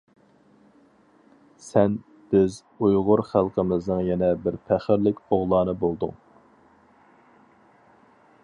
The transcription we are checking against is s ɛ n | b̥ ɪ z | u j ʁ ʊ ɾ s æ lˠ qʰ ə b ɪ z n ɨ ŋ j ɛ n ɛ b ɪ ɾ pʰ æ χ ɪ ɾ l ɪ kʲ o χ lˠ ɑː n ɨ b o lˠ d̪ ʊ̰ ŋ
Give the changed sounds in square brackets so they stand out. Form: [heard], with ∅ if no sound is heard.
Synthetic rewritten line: s ɛ n | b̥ ɪ z | u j ʁ ʊ ɾ [χ] æ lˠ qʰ ə [m] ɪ z n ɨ ŋ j ɛ n ɛ b ɪ ɾ pʰ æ χ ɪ ɾ l ɪ kʲ o [ʁ] lˠ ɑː n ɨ b o lˠ d̪ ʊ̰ ŋ